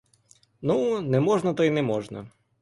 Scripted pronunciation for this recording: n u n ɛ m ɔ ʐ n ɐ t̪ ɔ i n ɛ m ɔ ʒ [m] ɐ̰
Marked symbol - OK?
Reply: no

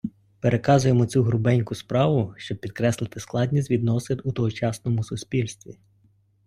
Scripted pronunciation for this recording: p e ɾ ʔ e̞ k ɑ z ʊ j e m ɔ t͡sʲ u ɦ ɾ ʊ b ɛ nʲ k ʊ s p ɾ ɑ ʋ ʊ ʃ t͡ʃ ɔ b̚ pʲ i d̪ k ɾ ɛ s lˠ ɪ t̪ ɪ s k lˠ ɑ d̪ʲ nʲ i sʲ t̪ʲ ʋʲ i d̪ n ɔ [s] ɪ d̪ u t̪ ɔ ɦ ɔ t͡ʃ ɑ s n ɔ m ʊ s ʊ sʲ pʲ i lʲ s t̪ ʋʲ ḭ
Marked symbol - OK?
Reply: yes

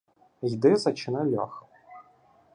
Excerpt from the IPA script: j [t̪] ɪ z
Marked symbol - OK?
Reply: no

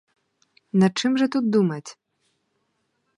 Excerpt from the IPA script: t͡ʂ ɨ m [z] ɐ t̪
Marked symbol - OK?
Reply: no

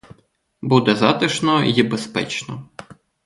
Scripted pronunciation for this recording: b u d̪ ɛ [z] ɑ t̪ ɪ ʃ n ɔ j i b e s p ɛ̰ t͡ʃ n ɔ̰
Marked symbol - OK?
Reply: yes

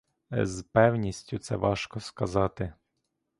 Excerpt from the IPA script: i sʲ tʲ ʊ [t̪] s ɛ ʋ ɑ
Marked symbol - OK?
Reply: yes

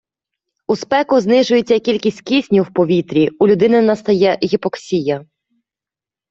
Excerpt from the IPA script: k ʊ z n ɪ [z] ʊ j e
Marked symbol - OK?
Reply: no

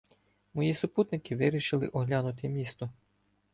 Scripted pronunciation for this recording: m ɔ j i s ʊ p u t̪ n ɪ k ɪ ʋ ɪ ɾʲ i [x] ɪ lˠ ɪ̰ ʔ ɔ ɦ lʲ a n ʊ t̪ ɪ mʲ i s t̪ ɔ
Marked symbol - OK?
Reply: no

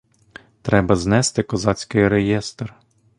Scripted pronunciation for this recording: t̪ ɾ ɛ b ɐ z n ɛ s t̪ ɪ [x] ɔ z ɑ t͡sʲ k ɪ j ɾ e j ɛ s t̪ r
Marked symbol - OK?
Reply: no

